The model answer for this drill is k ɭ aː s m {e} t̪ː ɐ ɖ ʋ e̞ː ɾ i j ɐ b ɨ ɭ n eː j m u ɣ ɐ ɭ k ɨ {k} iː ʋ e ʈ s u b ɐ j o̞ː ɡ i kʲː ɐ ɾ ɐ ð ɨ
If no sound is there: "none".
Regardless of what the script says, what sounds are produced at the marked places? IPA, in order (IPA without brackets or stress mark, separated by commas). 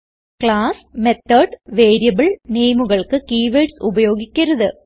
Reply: e, k